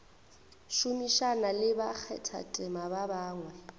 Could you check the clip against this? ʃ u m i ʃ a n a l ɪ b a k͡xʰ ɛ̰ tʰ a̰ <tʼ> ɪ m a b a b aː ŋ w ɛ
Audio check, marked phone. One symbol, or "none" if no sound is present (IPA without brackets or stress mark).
tʼ